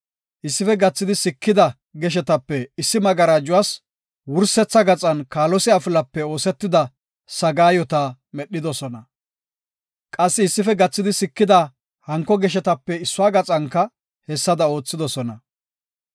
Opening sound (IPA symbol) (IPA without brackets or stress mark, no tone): ʔ